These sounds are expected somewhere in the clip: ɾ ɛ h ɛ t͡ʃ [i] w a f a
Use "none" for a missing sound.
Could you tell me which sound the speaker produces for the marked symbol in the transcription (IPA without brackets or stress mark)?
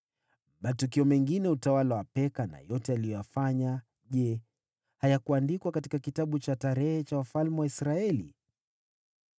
a